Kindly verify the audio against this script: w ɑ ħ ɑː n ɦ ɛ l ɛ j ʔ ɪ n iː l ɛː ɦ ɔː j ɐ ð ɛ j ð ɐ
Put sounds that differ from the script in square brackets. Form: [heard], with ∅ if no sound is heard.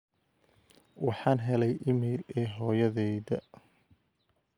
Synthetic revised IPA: w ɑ ħ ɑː n ɦ ɛ l ɛ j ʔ ɪ [m] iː l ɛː ɦ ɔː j ɐ ð ɛ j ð ɐ